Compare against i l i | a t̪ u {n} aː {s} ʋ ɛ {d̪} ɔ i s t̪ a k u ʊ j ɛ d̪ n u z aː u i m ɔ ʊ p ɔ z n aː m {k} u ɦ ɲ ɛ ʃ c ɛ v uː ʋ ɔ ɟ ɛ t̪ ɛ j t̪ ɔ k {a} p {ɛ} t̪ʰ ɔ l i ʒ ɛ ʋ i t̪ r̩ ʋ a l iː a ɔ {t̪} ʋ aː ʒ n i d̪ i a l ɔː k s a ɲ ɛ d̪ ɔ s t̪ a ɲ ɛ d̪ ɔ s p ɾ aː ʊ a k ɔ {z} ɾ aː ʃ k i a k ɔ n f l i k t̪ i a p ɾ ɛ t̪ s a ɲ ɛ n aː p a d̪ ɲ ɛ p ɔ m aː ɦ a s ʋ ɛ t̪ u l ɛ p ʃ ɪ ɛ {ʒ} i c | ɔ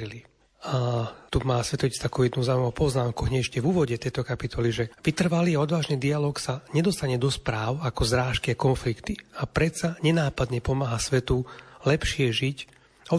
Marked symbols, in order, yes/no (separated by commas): no, yes, no, yes, yes, no, no, yes, yes